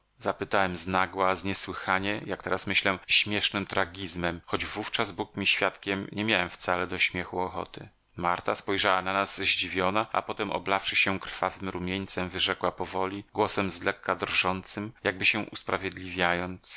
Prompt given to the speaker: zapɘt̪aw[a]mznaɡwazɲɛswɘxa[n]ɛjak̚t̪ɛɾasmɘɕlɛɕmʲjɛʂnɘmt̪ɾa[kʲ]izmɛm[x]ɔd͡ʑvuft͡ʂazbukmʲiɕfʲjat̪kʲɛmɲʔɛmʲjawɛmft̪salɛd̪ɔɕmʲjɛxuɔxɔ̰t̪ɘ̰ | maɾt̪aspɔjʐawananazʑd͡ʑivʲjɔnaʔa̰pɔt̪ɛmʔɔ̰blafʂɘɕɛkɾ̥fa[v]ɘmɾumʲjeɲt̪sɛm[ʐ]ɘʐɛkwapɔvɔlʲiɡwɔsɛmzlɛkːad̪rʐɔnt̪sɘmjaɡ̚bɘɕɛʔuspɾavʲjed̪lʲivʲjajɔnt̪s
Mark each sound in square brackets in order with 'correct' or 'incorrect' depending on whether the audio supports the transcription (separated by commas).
incorrect, incorrect, incorrect, correct, correct, incorrect